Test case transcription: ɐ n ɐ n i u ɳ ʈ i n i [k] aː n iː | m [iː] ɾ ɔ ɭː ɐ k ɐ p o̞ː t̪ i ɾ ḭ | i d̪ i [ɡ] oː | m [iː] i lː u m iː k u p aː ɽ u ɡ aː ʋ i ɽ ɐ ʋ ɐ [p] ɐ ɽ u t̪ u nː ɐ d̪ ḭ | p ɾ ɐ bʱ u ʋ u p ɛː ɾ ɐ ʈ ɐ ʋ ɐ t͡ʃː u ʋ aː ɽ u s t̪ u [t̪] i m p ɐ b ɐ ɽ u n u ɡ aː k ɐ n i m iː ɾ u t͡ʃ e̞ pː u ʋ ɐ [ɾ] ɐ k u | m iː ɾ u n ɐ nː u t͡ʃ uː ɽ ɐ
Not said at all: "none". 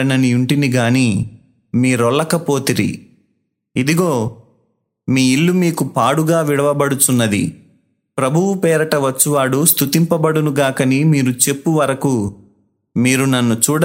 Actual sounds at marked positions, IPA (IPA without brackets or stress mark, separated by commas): ɡ, iː, ɡ, iː, b, t̪, ɾ